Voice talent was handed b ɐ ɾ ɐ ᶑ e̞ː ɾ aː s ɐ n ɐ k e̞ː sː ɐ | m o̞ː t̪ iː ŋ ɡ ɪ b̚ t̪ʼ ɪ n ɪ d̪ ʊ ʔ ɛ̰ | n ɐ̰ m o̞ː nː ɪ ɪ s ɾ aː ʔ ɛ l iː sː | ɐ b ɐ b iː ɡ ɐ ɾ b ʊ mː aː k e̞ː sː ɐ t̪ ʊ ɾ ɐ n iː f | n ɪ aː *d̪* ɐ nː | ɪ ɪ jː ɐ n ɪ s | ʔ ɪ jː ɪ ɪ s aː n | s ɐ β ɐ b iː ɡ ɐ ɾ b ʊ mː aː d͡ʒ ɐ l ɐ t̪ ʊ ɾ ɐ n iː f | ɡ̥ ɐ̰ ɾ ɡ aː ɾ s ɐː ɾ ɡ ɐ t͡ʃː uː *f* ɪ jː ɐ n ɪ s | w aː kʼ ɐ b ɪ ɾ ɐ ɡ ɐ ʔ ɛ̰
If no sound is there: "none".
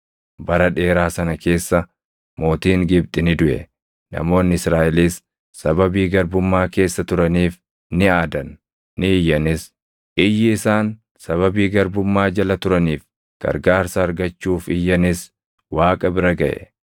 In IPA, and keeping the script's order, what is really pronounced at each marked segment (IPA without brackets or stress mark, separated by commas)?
d̪, f